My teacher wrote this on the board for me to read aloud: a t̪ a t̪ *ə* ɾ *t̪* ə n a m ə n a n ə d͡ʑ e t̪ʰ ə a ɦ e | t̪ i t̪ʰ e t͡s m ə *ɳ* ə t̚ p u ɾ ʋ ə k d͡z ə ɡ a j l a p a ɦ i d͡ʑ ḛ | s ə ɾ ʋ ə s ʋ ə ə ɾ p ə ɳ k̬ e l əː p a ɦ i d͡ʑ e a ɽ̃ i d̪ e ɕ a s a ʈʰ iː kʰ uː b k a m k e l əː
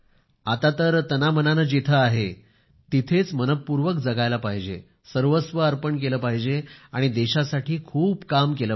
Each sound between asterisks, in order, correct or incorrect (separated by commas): correct, correct, incorrect